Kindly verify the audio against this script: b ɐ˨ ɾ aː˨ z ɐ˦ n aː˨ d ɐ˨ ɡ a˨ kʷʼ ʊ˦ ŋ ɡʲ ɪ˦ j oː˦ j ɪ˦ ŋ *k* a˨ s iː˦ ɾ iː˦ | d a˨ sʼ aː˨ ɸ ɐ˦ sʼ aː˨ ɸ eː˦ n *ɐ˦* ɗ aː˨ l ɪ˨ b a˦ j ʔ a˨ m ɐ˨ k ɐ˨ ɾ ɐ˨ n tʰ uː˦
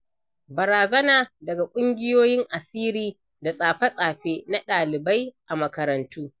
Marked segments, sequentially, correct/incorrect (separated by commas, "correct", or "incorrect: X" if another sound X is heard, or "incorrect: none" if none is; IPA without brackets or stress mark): incorrect: ʔ, incorrect: a˦